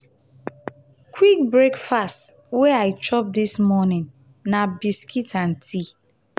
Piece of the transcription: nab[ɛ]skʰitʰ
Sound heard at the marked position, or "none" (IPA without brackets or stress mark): i